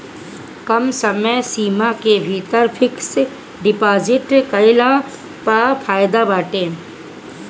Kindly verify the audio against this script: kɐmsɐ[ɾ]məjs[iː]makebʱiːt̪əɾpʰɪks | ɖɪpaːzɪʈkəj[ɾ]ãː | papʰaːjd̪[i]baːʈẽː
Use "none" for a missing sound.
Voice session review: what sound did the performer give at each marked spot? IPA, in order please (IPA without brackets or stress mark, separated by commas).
none, iː, l, a